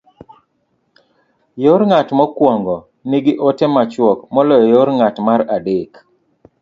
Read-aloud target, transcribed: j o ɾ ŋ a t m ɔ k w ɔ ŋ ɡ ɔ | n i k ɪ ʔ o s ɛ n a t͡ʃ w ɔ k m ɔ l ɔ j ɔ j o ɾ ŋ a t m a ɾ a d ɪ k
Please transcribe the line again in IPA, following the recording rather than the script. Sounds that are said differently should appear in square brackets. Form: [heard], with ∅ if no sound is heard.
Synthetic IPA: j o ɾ ŋ a t m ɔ k w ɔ ŋ ɡ ɔ | n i [ɡ] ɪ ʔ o [t] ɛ [m] a t͡ʃ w ɔ k m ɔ l ɔ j ɔ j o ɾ ŋ a t m a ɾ a d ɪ k